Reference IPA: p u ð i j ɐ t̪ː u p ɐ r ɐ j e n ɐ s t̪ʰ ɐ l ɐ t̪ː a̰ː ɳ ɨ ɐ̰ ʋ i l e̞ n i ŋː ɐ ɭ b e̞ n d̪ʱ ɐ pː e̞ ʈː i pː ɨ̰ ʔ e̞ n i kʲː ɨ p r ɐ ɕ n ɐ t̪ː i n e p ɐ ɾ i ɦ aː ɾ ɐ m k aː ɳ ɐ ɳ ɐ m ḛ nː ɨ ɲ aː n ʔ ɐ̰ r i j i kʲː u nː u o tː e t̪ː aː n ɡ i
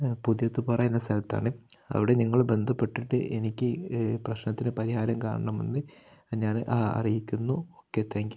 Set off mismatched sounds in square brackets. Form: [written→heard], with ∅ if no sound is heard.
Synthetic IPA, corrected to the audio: p u ð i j ɐ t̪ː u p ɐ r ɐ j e [n→nː] ɐ s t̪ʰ ɐ l ɐ t̪ː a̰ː ɳ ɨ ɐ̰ ʋ i [l→ɽ] e̞ n i ŋː ɐ ɭ b e̞ n d̪ʱ ɐ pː e̞ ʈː i [pː→ʈː] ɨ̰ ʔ e̞ n i kʲː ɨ p r ɐ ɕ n ɐ t̪ː i n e p ɐ ɾ i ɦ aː ɾ ɐ m k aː ɳ ɐ ɳ ɐ m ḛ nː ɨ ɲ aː n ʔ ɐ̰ r i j i kʲː u nː u o [tː→kː] e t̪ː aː [n→ŋ] ɡ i

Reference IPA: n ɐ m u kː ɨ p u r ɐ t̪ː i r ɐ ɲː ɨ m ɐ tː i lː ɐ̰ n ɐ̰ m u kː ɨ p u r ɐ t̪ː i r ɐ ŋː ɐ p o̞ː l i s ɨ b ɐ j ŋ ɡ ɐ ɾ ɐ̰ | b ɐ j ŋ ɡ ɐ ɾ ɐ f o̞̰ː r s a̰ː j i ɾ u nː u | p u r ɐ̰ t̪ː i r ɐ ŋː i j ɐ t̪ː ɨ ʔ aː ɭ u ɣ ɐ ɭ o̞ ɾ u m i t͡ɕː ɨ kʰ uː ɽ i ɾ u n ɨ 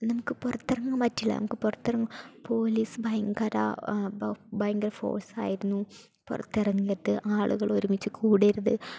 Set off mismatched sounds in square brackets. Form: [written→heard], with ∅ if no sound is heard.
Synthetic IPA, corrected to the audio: n ɐ m u kː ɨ p u r ɐ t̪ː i r ɐ [ɲː→ŋː] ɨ m ɐ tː i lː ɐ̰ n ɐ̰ m u kː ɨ p u r ɐ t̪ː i r ɐ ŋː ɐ p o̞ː l i s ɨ b ɐ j ŋ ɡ ɐ ɾ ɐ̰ | b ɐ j ŋ ɡ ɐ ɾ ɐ f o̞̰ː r s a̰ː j i ɾ u nː u | p u r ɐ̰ t̪ː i r ɐ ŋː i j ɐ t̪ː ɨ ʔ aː ɭ u ɣ ɐ ɭ o̞ ɾ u m i t͡ɕː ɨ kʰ uː ɽ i ɾ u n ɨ

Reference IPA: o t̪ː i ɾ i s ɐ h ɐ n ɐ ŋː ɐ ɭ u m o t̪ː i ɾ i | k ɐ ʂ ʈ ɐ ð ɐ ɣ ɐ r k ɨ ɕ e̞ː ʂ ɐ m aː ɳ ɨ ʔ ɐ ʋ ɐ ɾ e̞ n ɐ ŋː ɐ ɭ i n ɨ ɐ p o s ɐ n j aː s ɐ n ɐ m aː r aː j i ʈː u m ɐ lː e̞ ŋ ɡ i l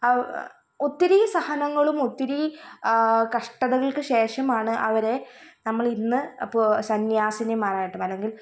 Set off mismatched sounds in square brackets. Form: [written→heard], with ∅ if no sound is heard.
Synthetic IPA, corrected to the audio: o t̪ː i ɾ i s ɐ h ɐ n ɐ ŋː ɐ ɭ u m o t̪ː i ɾ i | k ɐ ʂ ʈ ɐ ð ɐ ɣ ɐ [r→ɭ] k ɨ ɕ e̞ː ʂ ɐ m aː ɳ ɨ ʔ ɐ ʋ ɐ ɾ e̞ n ɐ [ŋː→mː] ɐ ɭ i [n→nː] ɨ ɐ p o s ɐ n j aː s ɐ n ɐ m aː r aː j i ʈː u m ɐ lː e̞ ŋ ɡ i l

